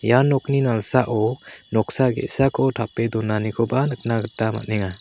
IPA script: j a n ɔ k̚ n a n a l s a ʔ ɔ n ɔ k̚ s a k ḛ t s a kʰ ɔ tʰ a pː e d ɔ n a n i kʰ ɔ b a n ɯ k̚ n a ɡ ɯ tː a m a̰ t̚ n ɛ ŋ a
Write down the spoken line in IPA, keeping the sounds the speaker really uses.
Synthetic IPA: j a n ɔ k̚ n i n a l s a ʔ ɔ n ɔ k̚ s a ɡ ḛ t s a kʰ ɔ tʰ a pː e d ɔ n a n i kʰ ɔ b a n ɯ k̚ n a ɡ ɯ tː a m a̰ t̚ n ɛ ŋ a